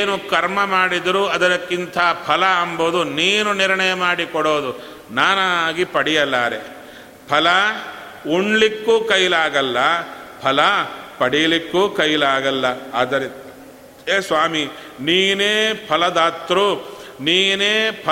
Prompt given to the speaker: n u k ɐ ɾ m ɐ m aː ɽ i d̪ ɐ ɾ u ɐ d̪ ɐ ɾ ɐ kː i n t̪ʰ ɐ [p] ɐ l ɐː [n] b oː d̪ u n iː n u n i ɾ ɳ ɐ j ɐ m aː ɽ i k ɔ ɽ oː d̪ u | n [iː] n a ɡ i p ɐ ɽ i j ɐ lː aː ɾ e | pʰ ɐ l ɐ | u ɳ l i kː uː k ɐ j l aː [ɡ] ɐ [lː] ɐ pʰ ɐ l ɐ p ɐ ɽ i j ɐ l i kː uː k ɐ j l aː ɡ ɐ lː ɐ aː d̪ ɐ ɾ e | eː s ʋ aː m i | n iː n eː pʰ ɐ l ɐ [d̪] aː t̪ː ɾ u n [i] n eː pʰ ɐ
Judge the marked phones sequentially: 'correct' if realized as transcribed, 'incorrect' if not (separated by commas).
incorrect, incorrect, incorrect, correct, correct, correct, incorrect